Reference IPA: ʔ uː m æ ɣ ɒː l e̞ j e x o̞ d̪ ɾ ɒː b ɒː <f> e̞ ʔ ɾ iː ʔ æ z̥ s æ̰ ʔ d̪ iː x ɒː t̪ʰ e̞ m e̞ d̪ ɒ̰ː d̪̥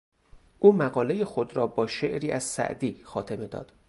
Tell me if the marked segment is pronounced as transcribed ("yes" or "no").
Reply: no